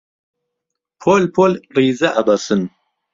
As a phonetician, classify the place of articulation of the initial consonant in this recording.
labial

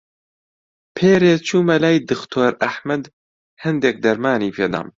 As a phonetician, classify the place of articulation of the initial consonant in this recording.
labial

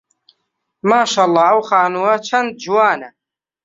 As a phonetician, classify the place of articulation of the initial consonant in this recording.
labial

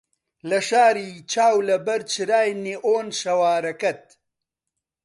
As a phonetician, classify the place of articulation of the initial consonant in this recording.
alveolar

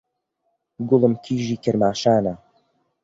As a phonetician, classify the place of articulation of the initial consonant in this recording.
velar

